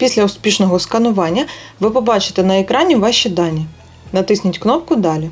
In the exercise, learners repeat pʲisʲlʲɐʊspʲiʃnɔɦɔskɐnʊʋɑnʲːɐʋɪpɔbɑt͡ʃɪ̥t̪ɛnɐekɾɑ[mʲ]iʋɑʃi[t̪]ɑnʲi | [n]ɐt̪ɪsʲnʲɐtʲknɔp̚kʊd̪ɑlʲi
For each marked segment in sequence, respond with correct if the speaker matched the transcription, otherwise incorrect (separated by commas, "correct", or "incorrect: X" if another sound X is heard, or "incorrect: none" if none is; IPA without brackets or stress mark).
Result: incorrect: nʲ, incorrect: d̪, correct